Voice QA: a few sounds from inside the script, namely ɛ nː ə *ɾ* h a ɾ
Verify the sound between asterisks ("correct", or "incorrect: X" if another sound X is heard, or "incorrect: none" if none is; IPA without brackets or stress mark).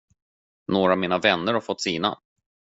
correct